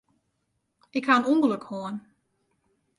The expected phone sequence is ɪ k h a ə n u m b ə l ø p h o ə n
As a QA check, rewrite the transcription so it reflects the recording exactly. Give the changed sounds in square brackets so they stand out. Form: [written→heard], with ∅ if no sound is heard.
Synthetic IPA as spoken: ɪ k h a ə n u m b ə l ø [p→k] h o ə n